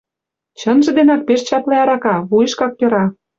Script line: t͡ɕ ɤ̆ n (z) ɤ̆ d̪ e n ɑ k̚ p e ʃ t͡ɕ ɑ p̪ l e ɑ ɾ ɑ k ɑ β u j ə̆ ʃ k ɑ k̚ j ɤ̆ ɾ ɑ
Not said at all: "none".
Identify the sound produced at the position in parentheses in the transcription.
ʒ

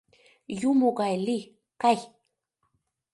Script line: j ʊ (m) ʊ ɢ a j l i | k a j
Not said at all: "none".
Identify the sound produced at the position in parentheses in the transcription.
m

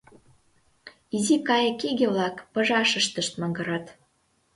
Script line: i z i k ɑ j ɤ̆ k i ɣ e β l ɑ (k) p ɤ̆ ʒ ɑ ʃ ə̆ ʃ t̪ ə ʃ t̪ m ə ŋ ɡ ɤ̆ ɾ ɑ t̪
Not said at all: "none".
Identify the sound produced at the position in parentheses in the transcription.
k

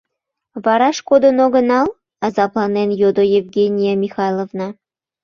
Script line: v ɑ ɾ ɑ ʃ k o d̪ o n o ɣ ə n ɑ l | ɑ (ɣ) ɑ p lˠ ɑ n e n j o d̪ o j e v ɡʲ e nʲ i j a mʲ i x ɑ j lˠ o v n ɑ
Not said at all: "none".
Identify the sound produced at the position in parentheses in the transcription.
z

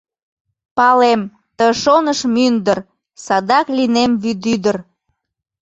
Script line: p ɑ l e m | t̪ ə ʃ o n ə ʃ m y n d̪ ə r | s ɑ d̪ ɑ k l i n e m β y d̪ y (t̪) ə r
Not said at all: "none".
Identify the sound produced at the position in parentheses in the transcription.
d̪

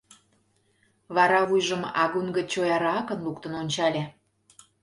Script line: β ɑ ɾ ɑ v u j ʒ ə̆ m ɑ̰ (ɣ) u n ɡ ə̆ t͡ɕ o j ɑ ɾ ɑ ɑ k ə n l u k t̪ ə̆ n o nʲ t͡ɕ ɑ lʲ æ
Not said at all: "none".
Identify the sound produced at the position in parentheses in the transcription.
ɣ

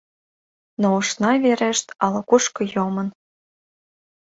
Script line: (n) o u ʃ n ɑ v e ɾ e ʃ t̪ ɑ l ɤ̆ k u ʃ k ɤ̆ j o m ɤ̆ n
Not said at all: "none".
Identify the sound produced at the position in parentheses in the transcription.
n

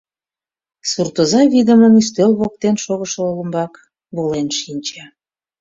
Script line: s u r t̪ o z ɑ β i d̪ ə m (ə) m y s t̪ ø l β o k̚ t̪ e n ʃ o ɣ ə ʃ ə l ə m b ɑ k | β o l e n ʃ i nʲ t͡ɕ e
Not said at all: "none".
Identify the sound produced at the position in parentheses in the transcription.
ə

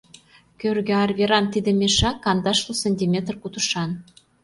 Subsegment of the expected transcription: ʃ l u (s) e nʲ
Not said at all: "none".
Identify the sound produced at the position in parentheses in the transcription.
s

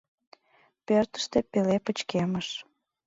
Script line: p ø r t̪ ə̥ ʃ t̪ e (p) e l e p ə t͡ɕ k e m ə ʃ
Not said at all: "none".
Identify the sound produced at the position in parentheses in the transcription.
p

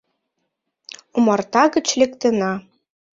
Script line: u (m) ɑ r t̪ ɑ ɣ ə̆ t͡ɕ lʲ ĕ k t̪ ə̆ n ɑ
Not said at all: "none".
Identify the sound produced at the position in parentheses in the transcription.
m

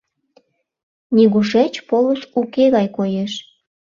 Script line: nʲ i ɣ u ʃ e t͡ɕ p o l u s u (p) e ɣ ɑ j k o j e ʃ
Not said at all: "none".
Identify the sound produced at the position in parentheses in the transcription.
k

